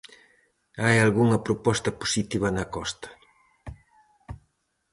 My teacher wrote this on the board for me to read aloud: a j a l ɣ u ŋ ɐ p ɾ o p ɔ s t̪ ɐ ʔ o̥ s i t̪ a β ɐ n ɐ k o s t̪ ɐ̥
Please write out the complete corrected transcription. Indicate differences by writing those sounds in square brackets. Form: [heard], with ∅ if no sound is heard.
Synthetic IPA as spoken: a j a l ɣ u ŋ ɐ p ɾ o p ɔ s t̪ ɐ [p] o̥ s i t̪ [i] β ɐ n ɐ k [ɔ] s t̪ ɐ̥

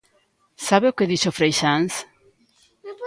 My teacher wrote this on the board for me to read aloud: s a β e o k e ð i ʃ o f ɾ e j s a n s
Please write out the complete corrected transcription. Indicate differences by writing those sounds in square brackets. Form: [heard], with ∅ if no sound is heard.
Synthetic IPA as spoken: s a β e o k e ð i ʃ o f ɾ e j [ʃ] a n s

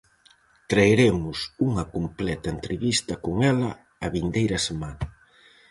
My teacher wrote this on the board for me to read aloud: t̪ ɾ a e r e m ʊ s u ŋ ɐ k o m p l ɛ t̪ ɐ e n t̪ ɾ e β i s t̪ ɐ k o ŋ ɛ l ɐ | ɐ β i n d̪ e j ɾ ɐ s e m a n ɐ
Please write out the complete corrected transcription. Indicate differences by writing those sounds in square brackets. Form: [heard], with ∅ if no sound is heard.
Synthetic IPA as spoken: t̪ ɾ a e [ɾ] e m ʊ s u ŋ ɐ k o m p l ɛ t̪ ɐ e n t̪ ɾ e β i s t̪ ɐ k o ŋ ɛ l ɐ | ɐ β i n d̪ e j ɾ ɐ s e m a n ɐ

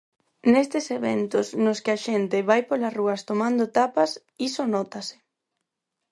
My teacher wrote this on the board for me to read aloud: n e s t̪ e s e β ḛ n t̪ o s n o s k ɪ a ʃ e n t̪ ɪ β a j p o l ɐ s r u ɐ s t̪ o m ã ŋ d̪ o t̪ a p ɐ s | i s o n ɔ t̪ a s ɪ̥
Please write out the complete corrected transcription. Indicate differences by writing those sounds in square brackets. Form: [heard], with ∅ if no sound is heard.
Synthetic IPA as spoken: n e s t̪ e s e β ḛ n t̪ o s n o s k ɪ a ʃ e n t̪ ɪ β a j p o l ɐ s r u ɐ s t̪ o m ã [n] d̪ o t̪ a p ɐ s | i s o n ɔ t̪ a s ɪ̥

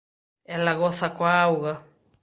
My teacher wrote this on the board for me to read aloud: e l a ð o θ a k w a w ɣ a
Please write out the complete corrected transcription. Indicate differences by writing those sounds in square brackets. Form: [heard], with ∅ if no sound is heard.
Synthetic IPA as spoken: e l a [ɣ] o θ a k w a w ɣ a

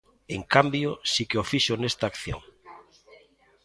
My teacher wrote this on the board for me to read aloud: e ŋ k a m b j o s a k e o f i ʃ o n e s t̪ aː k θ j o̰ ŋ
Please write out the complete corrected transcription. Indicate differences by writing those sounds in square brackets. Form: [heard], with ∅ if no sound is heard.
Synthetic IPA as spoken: e ŋ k a m b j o s [i] k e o f i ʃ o n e s t̪ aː k θ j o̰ ŋ

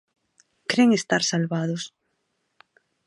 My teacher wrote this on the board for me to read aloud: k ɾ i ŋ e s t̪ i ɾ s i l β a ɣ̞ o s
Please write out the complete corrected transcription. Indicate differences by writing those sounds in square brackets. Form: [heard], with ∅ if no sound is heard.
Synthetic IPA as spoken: k ɾ [e] ŋ e s t̪ [a] ɾ s [a] l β a [ð̞] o s

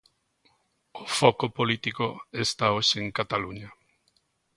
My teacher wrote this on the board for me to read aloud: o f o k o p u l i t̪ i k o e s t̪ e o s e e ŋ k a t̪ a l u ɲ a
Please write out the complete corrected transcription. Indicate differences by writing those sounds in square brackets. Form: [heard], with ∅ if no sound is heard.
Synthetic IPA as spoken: o f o k o p [o] l i t̪ i k o e s t̪ [a] o [ʃ] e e ŋ k a t̪ a l u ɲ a

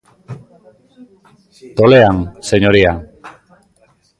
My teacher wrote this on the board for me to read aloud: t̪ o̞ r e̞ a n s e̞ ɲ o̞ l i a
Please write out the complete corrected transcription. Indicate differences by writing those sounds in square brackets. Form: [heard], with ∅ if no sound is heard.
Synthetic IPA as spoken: t̪ o̞ [l] e̞ a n s e̞ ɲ o̞ [ɾ] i a

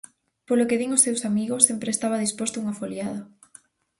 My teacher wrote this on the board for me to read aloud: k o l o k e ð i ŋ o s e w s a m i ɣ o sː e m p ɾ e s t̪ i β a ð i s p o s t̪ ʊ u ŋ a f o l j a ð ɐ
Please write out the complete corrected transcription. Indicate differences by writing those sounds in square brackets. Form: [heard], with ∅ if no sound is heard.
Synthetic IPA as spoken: [p] o l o k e ð i ŋ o s e w s a m i ɣ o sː e m p ɾ e s t̪ [a] β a ð i s p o s t̪ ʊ u ŋ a f o l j a ð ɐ

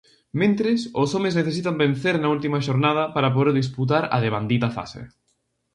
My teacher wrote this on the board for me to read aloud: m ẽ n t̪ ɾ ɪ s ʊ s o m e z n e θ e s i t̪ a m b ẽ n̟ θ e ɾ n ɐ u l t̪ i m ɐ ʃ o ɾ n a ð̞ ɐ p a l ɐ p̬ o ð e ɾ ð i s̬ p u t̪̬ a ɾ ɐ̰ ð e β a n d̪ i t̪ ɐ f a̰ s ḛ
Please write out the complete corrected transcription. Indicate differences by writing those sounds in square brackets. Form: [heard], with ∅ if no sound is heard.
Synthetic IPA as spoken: m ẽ n t̪ ɾ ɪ s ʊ s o m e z n e θ e s i t̪ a m b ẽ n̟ θ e ɾ n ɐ u l t̪ i m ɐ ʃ o ɾ n a ð̞ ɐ p a [ɾ] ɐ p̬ o ð e ɾ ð i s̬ p u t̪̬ a ɾ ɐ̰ ð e β a n d̪ i t̪ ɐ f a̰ s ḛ

